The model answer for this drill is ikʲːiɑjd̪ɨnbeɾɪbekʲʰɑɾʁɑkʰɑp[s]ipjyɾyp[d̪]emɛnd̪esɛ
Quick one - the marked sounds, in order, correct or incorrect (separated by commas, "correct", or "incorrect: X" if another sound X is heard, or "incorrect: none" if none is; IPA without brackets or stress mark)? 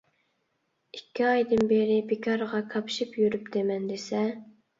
incorrect: ʃ, correct